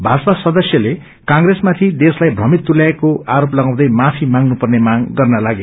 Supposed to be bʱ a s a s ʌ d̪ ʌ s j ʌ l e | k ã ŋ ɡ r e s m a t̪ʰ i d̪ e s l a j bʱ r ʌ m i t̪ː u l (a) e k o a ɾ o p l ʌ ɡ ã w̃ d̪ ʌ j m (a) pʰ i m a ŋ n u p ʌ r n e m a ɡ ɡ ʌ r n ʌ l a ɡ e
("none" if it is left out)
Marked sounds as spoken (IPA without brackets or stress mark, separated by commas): a, a